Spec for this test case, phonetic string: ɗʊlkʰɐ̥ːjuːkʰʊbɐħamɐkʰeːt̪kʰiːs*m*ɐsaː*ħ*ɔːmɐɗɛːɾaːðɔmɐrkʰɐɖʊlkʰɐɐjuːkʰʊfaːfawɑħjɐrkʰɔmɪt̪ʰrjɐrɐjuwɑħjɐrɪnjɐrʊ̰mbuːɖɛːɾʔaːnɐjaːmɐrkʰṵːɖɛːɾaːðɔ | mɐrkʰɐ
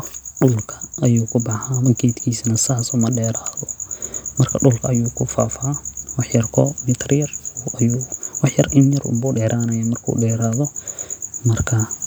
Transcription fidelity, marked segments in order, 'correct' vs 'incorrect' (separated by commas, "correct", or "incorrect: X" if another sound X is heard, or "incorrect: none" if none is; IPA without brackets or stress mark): incorrect: n, incorrect: s